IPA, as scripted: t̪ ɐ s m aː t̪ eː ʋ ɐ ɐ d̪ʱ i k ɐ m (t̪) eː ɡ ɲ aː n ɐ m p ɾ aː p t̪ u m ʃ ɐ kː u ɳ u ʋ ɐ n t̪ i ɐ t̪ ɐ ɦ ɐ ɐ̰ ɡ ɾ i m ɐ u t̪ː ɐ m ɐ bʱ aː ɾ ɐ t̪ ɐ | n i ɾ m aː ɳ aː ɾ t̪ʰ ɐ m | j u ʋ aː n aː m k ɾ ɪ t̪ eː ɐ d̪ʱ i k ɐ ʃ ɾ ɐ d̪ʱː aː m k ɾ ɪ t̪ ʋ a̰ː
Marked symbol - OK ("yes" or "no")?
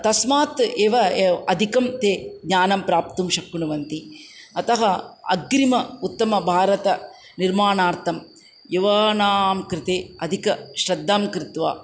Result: yes